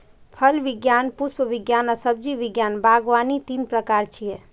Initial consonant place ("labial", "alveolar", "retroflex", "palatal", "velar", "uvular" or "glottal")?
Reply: labial